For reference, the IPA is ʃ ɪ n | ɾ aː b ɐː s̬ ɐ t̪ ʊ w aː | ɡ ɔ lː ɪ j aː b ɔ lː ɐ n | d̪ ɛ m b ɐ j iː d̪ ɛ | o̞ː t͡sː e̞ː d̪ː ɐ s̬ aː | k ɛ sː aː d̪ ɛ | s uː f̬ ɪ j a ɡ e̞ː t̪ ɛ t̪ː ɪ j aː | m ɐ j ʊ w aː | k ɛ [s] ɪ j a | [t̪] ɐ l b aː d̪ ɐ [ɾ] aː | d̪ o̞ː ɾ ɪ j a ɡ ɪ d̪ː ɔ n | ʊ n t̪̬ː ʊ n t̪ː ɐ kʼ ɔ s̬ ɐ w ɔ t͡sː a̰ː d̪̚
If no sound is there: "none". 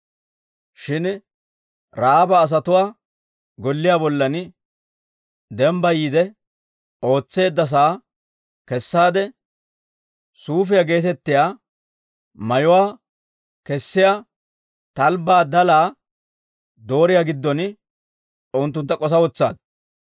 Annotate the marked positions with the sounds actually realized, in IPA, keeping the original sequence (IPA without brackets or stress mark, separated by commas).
sː, t̪, l